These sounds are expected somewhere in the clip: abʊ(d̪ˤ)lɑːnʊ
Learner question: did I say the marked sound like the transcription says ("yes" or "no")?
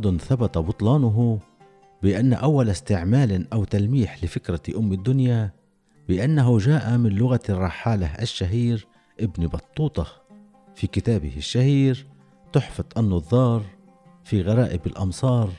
no